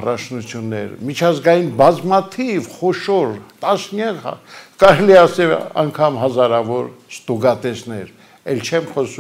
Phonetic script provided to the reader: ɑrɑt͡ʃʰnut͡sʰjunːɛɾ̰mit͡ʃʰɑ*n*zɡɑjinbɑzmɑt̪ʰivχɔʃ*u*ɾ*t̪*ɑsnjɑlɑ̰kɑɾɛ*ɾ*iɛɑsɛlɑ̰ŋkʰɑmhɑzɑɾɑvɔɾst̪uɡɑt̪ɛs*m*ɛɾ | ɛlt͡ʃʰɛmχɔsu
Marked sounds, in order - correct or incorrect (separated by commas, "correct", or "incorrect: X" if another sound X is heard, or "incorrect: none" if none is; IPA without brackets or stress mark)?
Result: incorrect: none, incorrect: ɔ, correct, incorrect: l, incorrect: n